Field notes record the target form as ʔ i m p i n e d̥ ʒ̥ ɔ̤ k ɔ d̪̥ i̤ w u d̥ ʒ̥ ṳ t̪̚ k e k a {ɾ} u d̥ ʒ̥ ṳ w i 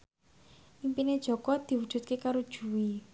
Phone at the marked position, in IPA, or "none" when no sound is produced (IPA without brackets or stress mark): ɾ